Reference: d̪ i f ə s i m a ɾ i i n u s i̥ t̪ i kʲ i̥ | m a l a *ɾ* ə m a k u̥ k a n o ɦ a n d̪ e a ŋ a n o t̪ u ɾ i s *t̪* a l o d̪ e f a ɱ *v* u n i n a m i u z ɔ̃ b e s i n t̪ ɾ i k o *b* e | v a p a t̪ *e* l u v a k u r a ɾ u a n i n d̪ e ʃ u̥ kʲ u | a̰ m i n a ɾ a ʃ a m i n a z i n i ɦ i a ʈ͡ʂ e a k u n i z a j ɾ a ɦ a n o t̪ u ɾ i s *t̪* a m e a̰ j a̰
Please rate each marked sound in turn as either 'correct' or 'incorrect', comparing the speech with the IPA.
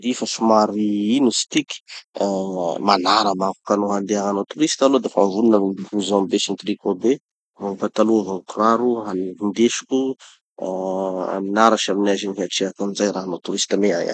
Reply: correct, correct, correct, correct, incorrect, correct

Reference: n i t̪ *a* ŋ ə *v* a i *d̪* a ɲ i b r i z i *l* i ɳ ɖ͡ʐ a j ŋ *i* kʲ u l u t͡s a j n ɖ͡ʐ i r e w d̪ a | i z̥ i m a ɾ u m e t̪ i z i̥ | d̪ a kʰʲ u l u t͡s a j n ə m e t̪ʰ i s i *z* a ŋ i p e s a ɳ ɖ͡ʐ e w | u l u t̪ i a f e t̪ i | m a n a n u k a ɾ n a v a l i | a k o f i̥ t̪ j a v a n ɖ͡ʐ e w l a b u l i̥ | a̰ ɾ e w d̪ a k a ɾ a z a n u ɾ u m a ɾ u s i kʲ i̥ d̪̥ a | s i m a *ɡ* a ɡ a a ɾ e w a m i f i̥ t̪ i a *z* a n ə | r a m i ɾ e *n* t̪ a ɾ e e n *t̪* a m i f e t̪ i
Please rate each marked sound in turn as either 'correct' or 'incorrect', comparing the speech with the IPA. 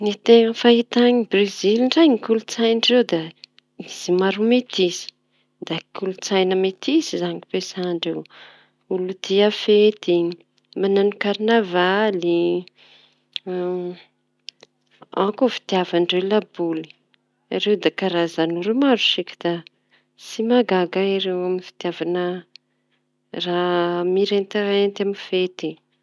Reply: incorrect, incorrect, incorrect, correct, correct, correct, correct, incorrect, correct, correct

